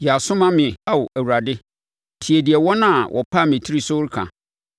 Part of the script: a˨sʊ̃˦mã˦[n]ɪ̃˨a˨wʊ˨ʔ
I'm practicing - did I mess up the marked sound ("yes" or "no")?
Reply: yes